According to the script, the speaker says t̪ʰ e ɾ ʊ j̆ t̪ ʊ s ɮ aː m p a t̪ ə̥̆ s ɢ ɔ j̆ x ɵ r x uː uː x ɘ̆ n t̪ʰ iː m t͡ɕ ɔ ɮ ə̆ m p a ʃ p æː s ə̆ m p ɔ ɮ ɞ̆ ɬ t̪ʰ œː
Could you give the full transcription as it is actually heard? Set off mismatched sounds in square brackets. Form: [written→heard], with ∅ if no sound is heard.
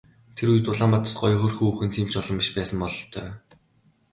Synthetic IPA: t̪ʰ e ɾ [ʊ→u] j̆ t̪ ʊ [s→∅] ɮ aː m p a t̪ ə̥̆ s ɢ ɔ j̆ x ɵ r x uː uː x ɘ̆ n t̪ʰ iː m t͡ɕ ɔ ɮ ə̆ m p [a→i] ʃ p æː s ə̆ m p ɔ ɮ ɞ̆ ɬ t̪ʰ œː